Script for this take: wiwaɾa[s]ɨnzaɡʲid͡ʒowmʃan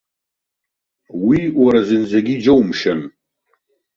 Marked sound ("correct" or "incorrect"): incorrect